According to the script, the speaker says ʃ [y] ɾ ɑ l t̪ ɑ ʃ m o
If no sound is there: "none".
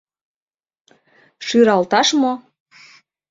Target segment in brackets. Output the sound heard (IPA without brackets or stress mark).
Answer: y